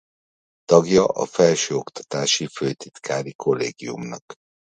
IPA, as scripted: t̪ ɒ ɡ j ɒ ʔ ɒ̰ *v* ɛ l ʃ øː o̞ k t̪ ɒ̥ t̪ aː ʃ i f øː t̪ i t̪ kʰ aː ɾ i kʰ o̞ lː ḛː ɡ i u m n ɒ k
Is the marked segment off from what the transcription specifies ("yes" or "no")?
yes